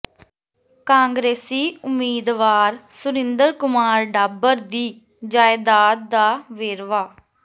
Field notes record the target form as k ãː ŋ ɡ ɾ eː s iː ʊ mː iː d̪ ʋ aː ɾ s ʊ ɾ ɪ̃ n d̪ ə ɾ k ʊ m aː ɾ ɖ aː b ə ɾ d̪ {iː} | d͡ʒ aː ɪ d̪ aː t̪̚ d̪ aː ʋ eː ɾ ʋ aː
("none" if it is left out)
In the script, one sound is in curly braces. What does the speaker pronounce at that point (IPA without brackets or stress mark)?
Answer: iː